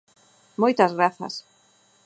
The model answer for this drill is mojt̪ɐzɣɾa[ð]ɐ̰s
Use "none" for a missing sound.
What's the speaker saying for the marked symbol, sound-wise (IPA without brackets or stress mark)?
θ